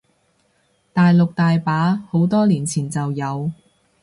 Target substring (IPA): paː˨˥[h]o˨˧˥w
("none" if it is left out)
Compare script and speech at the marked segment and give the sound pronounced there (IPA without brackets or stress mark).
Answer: h